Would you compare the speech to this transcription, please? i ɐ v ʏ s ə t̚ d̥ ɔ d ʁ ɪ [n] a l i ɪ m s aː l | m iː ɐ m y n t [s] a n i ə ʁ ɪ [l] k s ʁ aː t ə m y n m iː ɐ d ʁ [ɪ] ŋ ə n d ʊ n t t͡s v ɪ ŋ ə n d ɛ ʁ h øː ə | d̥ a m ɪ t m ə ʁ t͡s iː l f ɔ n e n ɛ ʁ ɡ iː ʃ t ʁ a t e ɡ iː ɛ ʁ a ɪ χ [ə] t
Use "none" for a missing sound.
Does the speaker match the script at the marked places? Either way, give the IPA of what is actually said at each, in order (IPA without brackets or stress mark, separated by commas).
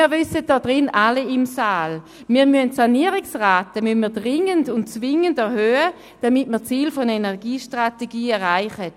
n, s, none, ɪ, ə